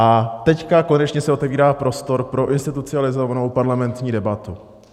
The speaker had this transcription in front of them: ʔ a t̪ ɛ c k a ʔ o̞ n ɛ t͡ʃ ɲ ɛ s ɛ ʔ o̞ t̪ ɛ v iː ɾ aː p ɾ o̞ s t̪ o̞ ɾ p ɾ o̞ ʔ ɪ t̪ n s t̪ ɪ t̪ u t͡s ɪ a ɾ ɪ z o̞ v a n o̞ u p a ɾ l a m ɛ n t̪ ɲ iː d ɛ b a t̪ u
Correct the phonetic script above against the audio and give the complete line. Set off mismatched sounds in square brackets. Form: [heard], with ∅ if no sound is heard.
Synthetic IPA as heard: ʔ a t̪ ɛ c k a [k] o̞ n ɛ t͡ʃ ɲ ɛ s ɛ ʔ o̞ t̪ ɛ v iː ɾ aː p ɾ o̞ s t̪ o̞ ɾ p ɾ o̞ ʔ ɪ [∅] n s t̪ ɪ t̪ u t͡s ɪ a [l] ɪ z o̞ v a n o̞ [w] p a ɾ l a m ɛ n t̪ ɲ iː d ɛ b a t̪ u